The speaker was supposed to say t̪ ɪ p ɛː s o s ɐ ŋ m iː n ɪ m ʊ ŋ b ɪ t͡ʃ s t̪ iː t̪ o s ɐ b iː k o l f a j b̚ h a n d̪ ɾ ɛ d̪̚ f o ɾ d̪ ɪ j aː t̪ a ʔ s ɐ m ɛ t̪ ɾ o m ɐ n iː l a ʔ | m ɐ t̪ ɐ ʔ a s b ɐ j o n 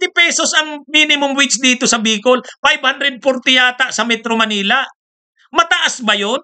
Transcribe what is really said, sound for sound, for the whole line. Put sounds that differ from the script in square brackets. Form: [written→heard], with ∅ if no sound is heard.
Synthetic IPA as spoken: t̪ ɪ p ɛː s o s ɐ ŋ m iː n ɪ m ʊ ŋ [b→w] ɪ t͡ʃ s [t̪→d̪] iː t̪ o s ɐ b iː k o l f a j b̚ h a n d̪ ɾ ɛ d̪̚ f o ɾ [d̪→t̪] ɪ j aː t̪ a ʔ s ɐ m ɛ t̪ ɾ o m ɐ n iː l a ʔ | m ɐ t̪ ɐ ʔ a s b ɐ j o n

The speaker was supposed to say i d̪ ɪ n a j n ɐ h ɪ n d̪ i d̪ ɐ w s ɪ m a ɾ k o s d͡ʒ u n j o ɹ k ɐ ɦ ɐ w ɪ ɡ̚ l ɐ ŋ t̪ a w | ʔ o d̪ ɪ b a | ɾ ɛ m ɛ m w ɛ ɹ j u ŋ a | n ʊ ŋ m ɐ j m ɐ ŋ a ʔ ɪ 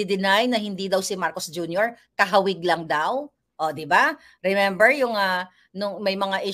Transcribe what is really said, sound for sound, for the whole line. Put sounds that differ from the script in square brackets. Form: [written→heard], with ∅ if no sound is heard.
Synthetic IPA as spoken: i d̪ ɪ n a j n ɐ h ɪ n d̪ i d̪ ɐ w s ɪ m a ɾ k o s d͡ʒ u n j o ɹ k ɐ ɦ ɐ w ɪ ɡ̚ l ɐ ŋ [t̪→d̪] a w | ʔ o d̪ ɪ b a | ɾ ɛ m ɛ m [w→b] ɛ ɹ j [u→ʊ] ŋ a | n ʊ ŋ m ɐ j m ɐ ŋ a ʔ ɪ

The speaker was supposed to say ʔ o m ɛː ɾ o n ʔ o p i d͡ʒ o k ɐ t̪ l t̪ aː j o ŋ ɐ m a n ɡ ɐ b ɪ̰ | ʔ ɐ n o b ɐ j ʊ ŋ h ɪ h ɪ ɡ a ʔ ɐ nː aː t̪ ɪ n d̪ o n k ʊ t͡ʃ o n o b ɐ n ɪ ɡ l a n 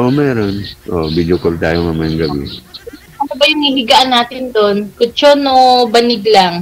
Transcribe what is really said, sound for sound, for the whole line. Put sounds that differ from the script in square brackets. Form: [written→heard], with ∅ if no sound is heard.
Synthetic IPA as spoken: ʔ o m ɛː ɾ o n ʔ o [p→b] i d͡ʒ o k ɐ [t̪→∅] l t̪ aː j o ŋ ɐ m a n ɡ ɐ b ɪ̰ | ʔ ɐ n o b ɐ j ʊ ŋ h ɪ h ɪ ɡ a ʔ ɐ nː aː t̪ ɪ n d̪ o n k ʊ t͡ʃ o n o b ɐ n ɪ ɡ l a [n→ŋ]

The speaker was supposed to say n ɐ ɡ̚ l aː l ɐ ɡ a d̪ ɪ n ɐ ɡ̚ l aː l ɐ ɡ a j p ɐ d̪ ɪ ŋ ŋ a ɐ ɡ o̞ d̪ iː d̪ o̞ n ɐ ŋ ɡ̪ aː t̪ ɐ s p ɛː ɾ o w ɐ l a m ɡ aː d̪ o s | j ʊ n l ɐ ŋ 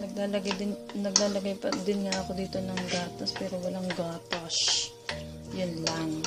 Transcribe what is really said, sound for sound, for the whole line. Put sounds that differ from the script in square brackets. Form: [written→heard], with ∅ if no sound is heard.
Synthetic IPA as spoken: n ɐ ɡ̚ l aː l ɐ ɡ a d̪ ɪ n ɐ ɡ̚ l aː l ɐ ɡ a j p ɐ d̪ ɪ [ŋ→n] ŋ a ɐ [ɡ→k] o̞ d̪ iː [d̪→t̪] o̞ n ɐ ŋ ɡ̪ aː t̪ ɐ s p ɛː ɾ o w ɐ l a [m→ŋ] ɡ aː [d̪→t̪] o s | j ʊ n l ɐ ŋ

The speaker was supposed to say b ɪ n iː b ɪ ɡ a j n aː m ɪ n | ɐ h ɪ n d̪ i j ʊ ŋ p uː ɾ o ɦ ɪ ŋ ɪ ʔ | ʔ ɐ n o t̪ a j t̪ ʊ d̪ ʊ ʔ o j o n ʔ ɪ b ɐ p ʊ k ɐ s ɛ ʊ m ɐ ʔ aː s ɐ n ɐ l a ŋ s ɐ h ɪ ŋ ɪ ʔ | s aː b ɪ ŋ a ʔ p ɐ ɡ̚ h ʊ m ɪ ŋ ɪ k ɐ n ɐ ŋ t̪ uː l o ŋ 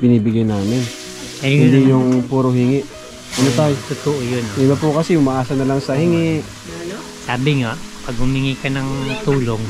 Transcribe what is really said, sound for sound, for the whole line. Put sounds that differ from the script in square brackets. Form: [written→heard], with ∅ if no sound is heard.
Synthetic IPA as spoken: b ɪ n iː b ɪ ɡ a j n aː m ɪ n | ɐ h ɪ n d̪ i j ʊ ŋ p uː ɾ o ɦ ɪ ŋ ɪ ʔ | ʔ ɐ n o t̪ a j t̪ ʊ [d̪→t̪] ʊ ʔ o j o n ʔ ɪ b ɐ p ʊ k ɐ s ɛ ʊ m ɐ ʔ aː s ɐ n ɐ l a ŋ s ɐ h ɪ ŋ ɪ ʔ | s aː b ɪ ŋ a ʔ p ɐ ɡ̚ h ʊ m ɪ ŋ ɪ k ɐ n ɐ ŋ t̪ uː l o ŋ

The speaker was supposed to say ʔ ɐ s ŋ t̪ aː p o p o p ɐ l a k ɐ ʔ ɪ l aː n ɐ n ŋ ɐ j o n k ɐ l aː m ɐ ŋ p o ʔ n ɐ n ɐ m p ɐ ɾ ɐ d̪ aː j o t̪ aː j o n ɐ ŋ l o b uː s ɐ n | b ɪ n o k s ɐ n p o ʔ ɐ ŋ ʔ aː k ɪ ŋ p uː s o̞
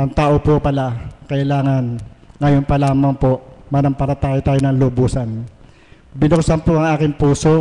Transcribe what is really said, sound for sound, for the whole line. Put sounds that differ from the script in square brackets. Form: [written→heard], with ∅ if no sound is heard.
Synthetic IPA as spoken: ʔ ɐ [s→∅] ŋ t̪ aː [p→ʔ] o p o p ɐ l a k ɐ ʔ ɪ l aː [n→ŋ] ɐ n ŋ ɐ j o n [k→p] ɐ l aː m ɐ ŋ p o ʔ [n→m] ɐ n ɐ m p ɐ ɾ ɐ [d̪→t̪] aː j o t̪ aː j o n ɐ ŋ l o b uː s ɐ n | b ɪ n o k s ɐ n p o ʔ ɐ ŋ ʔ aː k ɪ ŋ p uː s o̞

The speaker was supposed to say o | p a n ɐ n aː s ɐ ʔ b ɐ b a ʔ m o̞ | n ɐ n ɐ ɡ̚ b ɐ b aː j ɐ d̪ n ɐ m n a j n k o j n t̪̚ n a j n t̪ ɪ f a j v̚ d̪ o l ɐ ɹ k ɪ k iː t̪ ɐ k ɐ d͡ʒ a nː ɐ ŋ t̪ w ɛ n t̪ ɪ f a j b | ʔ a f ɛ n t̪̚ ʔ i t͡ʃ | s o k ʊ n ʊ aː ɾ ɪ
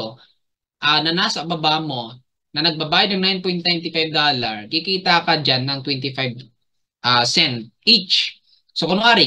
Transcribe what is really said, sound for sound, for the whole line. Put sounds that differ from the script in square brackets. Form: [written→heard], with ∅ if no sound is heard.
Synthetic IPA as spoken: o | [p→ʔ] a n ɐ n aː s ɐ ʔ b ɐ b a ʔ m o̞ | n ɐ n ɐ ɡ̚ b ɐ b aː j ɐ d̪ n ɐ [m→ŋ] n a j n [k→p] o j n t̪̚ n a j n t̪ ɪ f a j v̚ d̪ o l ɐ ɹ k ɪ k iː t̪ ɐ k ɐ d͡ʒ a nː ɐ ŋ t̪ w ɛ n t̪ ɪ f a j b | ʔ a [f→s] ɛ n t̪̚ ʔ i t͡ʃ | s o k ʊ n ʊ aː ɾ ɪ

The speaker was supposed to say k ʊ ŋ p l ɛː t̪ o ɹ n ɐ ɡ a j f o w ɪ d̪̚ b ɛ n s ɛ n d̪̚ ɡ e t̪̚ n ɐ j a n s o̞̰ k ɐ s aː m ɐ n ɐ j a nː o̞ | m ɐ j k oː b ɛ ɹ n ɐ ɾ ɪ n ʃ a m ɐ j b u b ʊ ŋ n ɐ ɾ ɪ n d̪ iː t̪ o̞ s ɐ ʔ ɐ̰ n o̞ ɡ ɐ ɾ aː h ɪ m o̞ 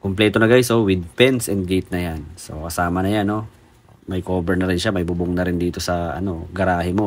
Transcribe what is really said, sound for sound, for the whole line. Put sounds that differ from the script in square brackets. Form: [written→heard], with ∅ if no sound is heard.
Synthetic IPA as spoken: k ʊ [ŋ→m] p l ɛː t̪ o [ɹ→∅] n ɐ ɡ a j [f→s] o w ɪ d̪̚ [b→p] ɛ n s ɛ n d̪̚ ɡ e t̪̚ n ɐ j a n s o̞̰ k ɐ s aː m ɐ n ɐ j a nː o̞ | m ɐ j k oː b ɛ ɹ n ɐ ɾ ɪ n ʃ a m ɐ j b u b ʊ ŋ n ɐ ɾ ɪ n d̪ iː t̪ o̞ s ɐ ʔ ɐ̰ n o̞ ɡ ɐ ɾ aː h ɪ m o̞

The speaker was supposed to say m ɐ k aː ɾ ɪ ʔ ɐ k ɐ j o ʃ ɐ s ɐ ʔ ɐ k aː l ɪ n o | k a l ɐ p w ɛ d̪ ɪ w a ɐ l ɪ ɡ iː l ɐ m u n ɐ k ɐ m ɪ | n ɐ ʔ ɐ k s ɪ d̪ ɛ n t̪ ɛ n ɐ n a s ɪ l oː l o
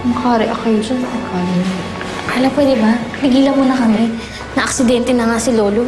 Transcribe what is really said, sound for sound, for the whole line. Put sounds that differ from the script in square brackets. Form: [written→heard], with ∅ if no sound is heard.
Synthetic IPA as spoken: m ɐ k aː ɾ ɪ ʔ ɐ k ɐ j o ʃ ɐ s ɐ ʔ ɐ k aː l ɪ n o | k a l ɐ p w ɛ d̪ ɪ [w→b] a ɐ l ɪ ɡ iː l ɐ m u n ɐ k ɐ m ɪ | n ɐ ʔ ɐ k s ɪ d̪ ɛ n t̪ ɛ n ɐ [n→ŋ] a s ɪ l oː l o

